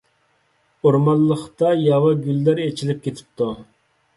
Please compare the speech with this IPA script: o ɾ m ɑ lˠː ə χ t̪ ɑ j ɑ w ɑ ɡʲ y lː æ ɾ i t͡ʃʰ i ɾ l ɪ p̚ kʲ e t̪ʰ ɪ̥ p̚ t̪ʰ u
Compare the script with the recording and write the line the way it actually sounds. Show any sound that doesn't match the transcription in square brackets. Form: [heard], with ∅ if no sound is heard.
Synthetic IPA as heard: o ɾ m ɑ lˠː ə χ t̪ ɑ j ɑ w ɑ ɡʲ y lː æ ɾ [e] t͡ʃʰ i [∅] l ɪ p̚ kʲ e t̪ʰ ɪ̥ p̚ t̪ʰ u